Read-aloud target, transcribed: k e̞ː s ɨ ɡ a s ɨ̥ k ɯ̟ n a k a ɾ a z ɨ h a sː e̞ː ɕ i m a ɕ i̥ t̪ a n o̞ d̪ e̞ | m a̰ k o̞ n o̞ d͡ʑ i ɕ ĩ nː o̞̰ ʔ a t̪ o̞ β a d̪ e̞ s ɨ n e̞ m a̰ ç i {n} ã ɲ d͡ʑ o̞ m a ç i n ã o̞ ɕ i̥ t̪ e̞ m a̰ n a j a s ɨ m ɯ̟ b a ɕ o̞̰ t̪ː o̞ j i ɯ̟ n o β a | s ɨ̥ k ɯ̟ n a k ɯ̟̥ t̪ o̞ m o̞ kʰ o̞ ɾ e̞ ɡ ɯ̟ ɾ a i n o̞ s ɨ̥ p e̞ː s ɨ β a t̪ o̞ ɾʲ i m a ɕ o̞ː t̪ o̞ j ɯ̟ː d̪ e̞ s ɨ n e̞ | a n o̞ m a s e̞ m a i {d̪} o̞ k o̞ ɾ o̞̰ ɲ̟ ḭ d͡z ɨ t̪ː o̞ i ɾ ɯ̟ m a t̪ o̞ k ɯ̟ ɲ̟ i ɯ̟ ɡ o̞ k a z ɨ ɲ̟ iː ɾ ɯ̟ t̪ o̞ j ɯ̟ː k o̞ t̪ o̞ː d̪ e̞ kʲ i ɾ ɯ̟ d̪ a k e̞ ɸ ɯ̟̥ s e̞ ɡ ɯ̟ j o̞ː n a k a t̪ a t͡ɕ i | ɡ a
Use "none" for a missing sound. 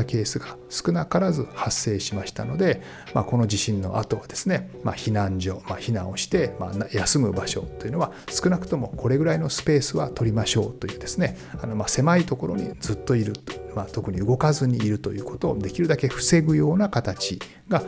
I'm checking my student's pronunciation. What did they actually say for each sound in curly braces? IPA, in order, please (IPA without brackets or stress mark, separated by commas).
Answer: n, t̪